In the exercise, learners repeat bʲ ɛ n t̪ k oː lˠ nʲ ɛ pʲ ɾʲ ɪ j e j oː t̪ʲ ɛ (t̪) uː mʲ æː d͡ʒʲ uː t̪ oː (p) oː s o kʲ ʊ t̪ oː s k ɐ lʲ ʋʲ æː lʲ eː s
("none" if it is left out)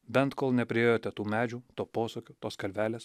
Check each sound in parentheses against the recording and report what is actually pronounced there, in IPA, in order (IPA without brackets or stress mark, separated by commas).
t̪, p